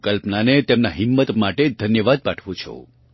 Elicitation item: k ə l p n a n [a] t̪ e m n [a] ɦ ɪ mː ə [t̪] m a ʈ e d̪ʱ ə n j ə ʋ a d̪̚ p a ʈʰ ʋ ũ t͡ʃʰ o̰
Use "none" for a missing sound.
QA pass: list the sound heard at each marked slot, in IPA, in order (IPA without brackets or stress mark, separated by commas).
e, a, t̪